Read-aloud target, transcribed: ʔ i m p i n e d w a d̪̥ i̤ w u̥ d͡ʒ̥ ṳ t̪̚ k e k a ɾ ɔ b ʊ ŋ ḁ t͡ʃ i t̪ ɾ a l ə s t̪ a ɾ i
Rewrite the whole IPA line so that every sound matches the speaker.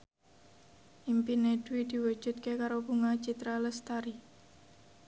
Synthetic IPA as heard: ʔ i m p i n e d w i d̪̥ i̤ w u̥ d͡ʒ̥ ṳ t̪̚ k e k a ɾ o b u ŋ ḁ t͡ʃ i t̪ ɾ a l ə s t̪ a ɾ i